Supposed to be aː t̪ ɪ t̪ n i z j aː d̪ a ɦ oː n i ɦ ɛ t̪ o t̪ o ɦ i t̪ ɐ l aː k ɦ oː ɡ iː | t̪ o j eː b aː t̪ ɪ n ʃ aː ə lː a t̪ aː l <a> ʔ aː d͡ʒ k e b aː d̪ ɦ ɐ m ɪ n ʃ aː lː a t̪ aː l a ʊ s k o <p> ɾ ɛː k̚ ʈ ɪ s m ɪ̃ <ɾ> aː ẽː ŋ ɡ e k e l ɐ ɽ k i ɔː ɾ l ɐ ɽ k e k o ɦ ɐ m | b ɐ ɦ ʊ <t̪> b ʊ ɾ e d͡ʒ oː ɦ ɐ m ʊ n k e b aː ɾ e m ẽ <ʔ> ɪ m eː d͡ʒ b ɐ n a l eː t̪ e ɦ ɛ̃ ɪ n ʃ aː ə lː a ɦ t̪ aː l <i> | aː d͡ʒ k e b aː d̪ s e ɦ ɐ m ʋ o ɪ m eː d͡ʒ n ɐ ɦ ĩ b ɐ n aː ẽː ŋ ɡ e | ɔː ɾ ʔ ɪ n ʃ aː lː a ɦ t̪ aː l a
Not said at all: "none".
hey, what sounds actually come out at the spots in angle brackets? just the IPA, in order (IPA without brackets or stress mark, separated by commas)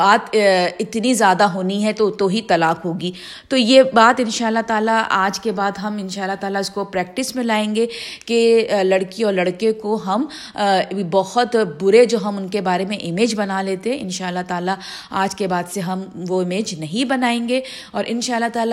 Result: a, p, l, t̪, ʔ, a